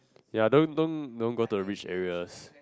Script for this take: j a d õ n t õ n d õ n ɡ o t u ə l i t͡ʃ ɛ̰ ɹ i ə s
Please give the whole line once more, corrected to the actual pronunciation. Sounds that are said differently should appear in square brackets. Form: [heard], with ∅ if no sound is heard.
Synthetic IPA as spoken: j a d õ n [d] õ n d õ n ɡ o t u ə [ɹ] i t͡ʃ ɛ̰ ɹ i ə s